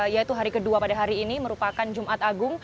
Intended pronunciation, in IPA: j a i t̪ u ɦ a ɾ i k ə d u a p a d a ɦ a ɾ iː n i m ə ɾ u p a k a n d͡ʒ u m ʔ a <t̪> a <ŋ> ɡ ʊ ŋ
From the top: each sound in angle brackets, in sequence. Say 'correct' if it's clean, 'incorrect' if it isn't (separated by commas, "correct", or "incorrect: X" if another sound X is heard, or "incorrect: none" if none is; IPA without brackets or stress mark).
correct, incorrect: none